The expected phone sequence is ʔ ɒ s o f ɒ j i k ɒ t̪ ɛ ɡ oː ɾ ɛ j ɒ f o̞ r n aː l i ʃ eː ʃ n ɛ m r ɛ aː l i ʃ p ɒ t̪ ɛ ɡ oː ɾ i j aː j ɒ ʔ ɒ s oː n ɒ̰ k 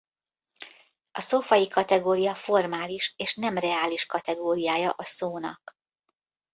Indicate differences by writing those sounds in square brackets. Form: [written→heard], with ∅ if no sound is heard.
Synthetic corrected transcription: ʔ ɒ s o f ɒ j i k ɒ t̪ ɛ ɡ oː ɾ [ɛ→i] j ɒ f o̞ r [n→m] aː l i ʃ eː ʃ n ɛ m r ɛ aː l i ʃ [p→k] ɒ t̪ ɛ ɡ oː ɾ i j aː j ɒ ʔ ɒ s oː n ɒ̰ k